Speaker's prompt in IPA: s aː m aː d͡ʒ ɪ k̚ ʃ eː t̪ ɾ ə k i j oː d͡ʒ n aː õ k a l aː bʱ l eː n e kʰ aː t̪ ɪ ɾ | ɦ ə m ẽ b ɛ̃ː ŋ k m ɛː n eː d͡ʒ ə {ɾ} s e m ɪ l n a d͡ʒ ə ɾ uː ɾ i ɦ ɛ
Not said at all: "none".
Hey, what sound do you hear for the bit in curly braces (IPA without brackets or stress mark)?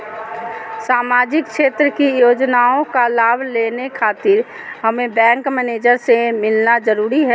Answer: ɾ